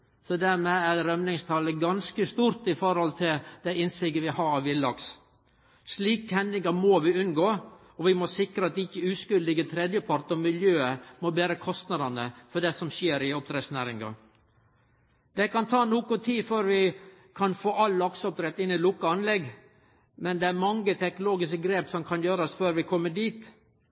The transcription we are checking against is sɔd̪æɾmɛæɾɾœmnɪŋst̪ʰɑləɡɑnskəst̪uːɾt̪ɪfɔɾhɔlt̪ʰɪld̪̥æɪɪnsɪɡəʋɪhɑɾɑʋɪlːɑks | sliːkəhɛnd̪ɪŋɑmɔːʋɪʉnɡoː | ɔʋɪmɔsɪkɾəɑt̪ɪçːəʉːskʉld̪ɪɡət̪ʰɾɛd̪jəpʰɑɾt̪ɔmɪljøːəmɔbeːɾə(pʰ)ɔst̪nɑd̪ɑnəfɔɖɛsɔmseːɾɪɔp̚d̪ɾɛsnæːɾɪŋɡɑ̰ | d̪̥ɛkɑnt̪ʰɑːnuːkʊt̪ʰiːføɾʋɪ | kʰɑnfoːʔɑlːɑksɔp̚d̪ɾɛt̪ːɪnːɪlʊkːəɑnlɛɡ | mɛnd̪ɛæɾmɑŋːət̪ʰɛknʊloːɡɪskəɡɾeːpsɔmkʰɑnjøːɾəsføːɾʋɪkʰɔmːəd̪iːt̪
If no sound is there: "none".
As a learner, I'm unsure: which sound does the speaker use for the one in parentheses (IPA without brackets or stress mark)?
kʰ